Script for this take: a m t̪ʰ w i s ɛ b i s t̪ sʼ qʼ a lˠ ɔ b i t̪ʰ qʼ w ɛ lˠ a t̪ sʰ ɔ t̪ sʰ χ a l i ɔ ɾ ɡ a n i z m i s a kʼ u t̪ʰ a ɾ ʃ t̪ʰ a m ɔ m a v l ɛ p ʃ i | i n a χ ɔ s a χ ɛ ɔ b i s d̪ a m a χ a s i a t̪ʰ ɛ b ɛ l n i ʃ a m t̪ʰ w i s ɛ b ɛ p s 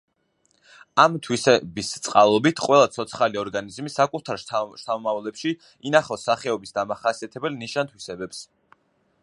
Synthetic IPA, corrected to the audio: a m t̪ʰ w i s ɛ b i s t̪ sʼ qʼ a lˠ ɔ b i t̪ʰ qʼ w ɛ lˠ a t̪ sʰ ɔ t̪ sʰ χ a l i ɔ ɾ ɡ a n i z m i s a kʼ u t̪ʰ a ɾ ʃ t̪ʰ a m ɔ m a v l ɛ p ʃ i | i n a χ ɔ s a χ ɛ ɔ b i s d̪ a m a χ a s i a t̪ʰ ɛ b ɛ l n i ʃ a n t̪ʰ w i s ɛ b ɛ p s